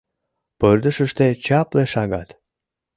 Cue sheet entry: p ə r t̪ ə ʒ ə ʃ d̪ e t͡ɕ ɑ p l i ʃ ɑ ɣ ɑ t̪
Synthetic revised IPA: p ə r d̪ ə ʃ ə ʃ t̪ e t͡ɕ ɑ p l e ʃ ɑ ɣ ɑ t̪